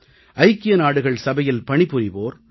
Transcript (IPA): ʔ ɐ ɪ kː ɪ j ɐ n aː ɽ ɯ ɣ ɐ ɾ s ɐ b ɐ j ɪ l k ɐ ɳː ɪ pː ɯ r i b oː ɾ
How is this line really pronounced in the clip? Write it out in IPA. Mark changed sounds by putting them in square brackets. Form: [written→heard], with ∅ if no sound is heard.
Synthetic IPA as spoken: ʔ ɐ ɪ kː ɪ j ɐ n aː ɽ ɯ ɣ ɐ [ɾ→ɭ] s ɐ b ɐ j ɪ l [k→p] ɐ [ɳː→ɳ] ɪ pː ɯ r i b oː ɾ